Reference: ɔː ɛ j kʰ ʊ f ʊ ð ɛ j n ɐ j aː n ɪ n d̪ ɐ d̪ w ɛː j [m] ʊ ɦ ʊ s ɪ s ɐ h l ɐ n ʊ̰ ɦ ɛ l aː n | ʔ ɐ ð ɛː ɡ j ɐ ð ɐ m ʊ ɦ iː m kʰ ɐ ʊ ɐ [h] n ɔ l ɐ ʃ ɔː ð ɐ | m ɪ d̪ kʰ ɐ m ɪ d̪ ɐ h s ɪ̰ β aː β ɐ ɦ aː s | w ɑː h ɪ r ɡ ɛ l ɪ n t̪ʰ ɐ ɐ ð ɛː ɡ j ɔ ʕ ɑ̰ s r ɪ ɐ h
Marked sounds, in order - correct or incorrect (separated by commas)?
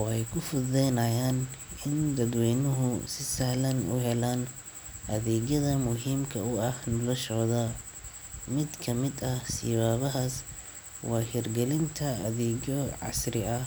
incorrect, correct